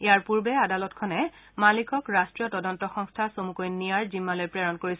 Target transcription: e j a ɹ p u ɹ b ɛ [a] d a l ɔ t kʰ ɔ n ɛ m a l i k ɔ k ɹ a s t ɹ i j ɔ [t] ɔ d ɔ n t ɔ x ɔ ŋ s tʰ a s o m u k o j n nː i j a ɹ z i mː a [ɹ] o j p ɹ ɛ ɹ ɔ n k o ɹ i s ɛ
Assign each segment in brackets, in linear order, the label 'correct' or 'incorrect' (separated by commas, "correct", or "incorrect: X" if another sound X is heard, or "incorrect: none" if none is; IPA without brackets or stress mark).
correct, correct, incorrect: l